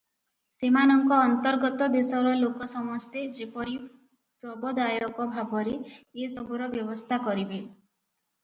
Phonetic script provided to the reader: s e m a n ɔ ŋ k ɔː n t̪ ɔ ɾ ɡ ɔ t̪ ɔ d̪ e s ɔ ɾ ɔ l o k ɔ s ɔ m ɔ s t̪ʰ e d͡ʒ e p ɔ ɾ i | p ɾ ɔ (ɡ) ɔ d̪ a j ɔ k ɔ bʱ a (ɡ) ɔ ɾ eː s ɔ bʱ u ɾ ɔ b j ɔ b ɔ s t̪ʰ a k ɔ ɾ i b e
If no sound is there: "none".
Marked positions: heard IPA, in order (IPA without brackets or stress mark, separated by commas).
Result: b, b